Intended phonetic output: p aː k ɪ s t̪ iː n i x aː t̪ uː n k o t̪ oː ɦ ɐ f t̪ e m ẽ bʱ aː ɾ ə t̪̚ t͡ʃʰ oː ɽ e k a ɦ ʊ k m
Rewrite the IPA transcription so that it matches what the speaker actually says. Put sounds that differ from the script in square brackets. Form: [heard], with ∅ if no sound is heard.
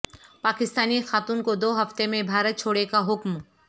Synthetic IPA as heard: p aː k ɪ s t̪ [aː] n i x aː t̪ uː n k o [d̪] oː ɦ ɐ f t̪ e m ẽ bʱ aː ɾ ə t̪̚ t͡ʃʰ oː ɽ e k a ɦ ʊ k m